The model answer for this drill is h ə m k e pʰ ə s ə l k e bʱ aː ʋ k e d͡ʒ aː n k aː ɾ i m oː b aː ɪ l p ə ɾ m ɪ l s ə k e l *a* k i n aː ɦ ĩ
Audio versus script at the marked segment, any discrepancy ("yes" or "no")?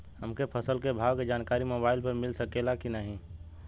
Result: no